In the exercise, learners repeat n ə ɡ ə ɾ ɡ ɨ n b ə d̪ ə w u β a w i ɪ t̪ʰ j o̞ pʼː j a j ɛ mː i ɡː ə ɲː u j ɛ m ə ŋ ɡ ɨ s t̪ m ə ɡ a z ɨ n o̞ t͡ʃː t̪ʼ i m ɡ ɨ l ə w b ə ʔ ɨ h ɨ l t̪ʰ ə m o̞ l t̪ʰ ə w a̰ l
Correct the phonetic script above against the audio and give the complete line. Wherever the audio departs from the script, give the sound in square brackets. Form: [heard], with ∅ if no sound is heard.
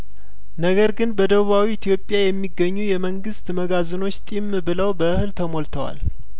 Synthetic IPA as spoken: n ə ɡ ə ɾ ɡ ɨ n b ə d̪ ə [β] u β a w i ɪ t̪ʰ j o̞ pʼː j a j ɛ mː i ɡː ə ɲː u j ɛ m ə ŋ ɡ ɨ s t̪ m ə ɡ a z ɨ n o̞ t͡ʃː t̪ʼ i m [b] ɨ l ə w b ə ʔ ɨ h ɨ l t̪ʰ ə m o̞ l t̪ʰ ə w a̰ l